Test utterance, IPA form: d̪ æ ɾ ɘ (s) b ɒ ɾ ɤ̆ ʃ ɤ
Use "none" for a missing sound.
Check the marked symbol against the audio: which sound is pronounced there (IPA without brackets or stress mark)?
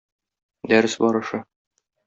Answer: s